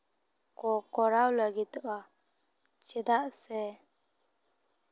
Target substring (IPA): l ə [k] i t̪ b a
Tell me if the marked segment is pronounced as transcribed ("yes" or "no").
no